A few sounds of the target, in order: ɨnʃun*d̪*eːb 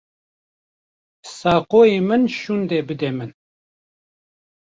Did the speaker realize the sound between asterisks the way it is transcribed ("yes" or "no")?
yes